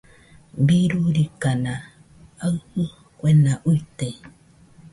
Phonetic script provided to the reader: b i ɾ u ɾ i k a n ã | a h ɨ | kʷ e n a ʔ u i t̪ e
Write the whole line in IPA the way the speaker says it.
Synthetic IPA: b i ɾ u ɾ i k a n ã | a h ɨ | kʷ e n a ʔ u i t̪ e